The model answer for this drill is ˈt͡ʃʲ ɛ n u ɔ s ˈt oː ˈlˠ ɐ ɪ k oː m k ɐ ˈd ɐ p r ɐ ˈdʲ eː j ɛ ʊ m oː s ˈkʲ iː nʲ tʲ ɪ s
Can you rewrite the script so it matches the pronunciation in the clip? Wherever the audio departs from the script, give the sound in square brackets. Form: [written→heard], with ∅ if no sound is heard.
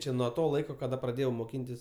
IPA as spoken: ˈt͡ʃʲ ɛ n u ɔ [s→∅] ˈt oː ˈlˠ ɐ ɪ k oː [m→∅] k ɐ ˈd ɐ p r ɐ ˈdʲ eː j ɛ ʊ m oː [s→∅] ˈkʲ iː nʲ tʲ ɪ s